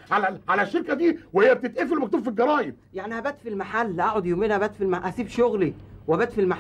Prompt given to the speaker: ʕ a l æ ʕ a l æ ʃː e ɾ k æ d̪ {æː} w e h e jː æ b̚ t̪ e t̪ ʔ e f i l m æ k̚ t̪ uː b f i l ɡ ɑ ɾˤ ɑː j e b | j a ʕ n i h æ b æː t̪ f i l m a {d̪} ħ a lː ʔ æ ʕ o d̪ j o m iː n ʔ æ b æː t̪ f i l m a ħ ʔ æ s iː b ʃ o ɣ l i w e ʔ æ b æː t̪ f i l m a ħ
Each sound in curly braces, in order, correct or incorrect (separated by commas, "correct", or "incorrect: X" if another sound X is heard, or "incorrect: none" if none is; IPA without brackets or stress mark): incorrect: iː, incorrect: none